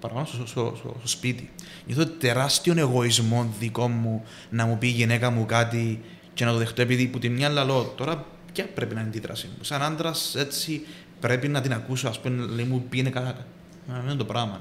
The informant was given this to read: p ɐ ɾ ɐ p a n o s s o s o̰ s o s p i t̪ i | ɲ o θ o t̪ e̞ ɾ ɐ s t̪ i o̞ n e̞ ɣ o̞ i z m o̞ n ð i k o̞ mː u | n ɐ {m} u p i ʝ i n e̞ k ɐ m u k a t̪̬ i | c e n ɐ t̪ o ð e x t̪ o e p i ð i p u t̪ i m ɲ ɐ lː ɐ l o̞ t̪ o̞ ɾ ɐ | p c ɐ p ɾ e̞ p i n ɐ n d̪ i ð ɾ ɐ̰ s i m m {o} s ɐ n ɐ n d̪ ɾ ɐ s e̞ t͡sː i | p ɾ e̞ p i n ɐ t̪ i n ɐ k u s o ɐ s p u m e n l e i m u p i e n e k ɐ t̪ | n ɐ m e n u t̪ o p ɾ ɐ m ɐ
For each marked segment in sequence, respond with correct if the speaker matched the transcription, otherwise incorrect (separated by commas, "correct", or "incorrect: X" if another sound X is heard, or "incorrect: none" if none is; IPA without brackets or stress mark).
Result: correct, incorrect: u